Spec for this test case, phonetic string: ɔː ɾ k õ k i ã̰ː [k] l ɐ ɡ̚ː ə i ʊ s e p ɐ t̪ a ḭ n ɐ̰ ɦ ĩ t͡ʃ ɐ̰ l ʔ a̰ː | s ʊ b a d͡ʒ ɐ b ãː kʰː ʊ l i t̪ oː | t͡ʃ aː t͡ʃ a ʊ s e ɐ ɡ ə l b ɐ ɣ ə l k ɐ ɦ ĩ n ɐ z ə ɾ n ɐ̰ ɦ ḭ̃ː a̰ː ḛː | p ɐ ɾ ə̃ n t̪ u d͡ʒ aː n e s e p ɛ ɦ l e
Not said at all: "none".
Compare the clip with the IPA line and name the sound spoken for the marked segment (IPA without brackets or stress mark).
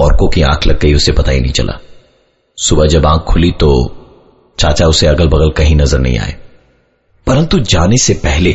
kʰ